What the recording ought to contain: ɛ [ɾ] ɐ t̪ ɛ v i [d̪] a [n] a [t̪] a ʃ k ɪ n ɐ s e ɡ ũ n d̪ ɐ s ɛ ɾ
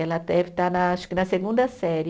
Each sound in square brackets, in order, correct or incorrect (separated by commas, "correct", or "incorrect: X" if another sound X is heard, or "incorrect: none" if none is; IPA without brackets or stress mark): incorrect: l, incorrect: t̪, correct, incorrect: none